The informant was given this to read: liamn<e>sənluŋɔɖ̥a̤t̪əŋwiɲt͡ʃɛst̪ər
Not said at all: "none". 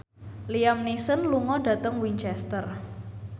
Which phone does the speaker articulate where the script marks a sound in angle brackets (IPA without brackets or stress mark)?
i